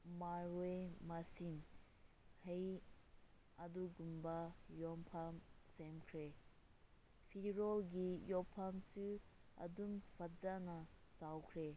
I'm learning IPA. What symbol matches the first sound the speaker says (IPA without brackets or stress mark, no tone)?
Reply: m